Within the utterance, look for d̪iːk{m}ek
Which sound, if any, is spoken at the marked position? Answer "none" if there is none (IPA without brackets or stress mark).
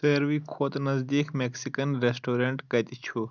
m